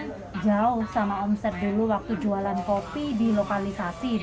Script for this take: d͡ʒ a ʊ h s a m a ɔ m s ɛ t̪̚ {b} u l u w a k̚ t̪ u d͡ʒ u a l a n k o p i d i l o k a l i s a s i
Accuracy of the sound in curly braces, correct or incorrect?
incorrect